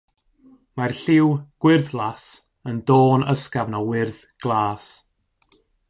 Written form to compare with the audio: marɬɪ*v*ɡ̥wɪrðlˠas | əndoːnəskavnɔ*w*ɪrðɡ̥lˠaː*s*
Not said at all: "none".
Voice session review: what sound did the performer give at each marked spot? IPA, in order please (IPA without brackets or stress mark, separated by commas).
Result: w, w, s